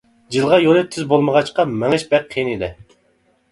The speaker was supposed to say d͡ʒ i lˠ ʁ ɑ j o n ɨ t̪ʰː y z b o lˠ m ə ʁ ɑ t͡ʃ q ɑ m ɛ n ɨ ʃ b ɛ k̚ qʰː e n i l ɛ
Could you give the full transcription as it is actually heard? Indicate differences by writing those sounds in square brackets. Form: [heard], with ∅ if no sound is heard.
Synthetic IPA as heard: d͡ʒ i lˠ ʁ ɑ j o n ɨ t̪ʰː y z b o lˠ m ə ʁ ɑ t͡ʃ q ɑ m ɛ [ŋ] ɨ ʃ b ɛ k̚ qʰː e n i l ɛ